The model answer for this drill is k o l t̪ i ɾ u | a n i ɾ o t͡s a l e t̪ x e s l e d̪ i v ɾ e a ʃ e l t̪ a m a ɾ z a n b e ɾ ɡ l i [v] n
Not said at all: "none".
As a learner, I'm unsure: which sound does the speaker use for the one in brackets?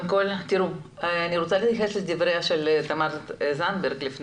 f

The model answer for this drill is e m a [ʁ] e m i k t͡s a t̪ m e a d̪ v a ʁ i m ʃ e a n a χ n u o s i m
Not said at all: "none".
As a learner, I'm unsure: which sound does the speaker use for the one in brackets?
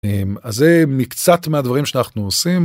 z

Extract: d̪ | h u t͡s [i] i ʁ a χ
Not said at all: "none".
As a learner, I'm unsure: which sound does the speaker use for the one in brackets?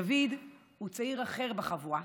a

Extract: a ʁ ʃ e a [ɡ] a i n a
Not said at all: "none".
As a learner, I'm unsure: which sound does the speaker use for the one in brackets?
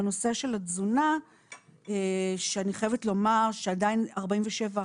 d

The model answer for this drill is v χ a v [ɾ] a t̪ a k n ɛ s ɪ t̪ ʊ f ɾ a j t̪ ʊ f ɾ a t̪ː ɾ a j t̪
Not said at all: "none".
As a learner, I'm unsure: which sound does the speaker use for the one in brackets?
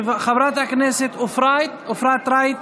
ɾ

